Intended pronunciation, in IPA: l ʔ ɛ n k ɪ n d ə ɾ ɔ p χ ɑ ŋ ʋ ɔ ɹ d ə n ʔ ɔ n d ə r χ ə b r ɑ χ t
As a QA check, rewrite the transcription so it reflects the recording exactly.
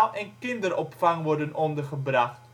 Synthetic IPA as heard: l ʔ ɛ n k ɪ n d ə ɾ ɔ p f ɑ ŋ ʋ ɔ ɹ d ə n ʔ ɔ n d ə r χ ə b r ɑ χ t